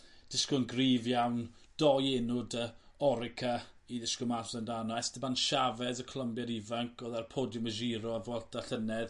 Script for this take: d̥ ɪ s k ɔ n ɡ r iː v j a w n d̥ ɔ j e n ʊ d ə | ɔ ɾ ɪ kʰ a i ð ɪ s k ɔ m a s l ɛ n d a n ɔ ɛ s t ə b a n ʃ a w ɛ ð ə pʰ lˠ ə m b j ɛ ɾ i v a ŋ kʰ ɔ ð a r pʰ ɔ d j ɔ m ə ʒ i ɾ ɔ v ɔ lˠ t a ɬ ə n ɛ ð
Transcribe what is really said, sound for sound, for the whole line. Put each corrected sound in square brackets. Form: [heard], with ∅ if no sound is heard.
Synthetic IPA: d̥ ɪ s k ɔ n ɡ r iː v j a w n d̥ ɔ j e n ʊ d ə | ɔ ɾ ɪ kʰ a i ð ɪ s k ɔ m a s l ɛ n d a n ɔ ɛ s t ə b a n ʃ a [v] ɛ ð ə [kʰ] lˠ ə m b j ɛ ɾ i v a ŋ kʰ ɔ ð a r pʰ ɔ d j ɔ m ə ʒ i ɾ ɔ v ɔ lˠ t a ɬ ə n ɛ ð